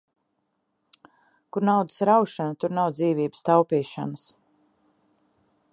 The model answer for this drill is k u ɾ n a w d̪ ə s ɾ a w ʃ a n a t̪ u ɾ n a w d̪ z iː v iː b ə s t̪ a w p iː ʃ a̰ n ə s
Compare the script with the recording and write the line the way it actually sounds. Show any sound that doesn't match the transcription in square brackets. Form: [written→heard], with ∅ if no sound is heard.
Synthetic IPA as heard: k u ɾ n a w d̪ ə s ɾ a w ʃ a n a t̪ u ɾ n a w d̪ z iː v iː b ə s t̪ a w p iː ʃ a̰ n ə s